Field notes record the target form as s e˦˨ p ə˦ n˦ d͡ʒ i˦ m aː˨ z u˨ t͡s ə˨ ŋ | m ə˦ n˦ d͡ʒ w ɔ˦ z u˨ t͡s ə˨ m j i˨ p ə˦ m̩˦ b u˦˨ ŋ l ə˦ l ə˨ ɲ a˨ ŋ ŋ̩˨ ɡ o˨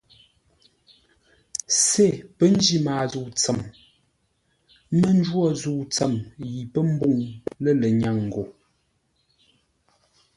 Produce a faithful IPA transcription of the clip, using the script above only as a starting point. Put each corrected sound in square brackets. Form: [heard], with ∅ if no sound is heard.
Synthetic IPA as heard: s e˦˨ p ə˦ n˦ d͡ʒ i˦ m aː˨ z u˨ t͡s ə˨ [m] | m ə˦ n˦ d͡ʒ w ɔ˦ z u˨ t͡s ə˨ m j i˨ p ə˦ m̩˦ b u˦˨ ŋ l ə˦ l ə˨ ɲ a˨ ŋ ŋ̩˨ ɡ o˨

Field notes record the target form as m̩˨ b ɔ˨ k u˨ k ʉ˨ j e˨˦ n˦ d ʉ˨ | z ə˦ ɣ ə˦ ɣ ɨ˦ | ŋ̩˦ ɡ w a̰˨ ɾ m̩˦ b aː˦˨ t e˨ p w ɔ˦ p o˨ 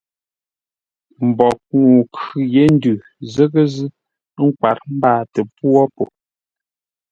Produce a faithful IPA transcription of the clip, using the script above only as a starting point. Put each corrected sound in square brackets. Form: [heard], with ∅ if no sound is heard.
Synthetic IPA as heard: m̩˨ b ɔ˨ k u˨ k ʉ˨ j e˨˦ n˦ d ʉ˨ | z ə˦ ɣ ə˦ [z] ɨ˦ | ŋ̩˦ [k] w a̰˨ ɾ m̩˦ b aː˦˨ t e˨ p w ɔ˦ p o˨

